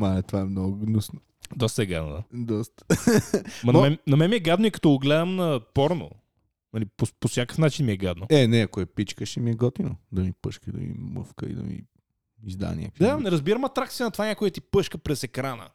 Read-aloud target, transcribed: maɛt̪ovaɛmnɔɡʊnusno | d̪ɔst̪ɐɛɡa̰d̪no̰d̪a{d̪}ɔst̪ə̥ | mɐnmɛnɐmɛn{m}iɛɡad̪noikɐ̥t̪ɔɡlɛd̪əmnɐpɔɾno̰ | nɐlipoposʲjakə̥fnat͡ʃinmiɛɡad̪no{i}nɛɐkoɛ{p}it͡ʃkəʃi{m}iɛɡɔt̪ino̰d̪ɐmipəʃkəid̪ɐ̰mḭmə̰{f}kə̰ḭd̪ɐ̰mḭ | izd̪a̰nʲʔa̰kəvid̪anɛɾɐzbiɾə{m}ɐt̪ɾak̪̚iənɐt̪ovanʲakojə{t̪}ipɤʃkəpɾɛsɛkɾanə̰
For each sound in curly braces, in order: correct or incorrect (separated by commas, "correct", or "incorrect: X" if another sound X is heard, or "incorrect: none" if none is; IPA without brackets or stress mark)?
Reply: correct, correct, incorrect: ɛ, correct, correct, correct, correct, correct